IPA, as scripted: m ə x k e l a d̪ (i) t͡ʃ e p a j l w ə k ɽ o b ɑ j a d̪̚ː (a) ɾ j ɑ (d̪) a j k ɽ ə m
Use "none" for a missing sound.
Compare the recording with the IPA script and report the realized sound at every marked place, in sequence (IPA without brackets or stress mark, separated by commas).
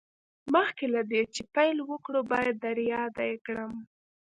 e, a, d̪